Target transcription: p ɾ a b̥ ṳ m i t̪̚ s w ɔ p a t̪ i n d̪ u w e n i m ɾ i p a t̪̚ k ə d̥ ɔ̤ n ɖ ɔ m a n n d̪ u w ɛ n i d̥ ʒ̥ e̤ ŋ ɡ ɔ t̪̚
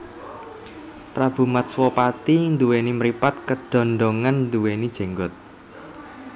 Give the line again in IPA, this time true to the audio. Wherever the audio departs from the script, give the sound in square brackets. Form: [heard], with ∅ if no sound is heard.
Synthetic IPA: p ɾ a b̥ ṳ m [a] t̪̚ s w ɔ p a t̪ i n d̪ u w e n i m ɾ i p a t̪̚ k ə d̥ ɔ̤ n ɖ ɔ [ŋ] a n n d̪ u w [e] n i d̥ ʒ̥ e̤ ŋ ɡ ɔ t̪̚